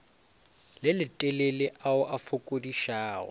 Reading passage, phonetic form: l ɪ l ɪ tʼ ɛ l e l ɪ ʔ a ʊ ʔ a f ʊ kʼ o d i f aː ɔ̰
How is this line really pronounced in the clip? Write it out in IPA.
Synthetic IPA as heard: l ɪ l ɪ tʼ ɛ l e l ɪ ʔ a ʊ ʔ a f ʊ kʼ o d i ʃ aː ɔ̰